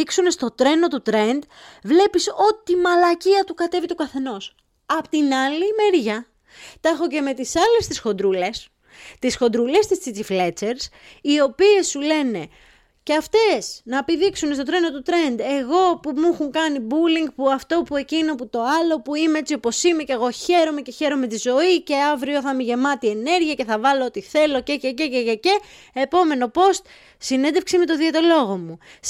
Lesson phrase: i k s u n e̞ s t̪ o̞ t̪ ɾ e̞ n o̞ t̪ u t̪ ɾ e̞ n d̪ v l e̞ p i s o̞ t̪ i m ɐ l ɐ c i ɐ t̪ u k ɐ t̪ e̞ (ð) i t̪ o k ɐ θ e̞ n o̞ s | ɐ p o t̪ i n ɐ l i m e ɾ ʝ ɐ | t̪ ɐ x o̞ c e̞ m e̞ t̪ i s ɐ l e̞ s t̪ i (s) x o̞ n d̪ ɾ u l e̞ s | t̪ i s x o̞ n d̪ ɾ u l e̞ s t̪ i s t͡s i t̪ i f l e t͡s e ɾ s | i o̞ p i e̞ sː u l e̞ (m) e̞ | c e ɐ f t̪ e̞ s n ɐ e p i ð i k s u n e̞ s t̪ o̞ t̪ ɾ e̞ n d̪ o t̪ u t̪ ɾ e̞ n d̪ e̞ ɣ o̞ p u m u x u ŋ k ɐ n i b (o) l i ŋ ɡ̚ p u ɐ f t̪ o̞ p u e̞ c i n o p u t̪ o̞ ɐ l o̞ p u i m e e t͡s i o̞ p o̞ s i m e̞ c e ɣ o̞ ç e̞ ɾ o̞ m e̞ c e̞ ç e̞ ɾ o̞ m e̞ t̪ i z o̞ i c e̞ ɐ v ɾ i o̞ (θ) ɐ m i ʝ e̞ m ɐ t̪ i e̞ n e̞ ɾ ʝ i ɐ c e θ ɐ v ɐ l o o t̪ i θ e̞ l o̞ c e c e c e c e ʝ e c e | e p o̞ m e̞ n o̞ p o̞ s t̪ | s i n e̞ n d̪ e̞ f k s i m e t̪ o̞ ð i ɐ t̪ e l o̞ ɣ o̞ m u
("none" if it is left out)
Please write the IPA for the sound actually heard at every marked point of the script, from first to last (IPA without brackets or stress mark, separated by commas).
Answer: v, s, n, u, θ